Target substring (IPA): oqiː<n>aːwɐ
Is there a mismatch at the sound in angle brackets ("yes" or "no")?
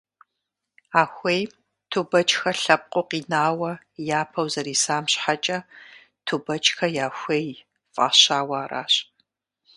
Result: no